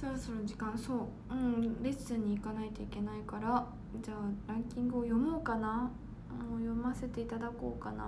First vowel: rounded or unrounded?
rounded